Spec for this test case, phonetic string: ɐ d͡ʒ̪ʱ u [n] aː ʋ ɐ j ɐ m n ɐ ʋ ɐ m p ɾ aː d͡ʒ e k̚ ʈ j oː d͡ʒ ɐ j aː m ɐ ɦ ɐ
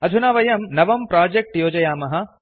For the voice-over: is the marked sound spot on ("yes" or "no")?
yes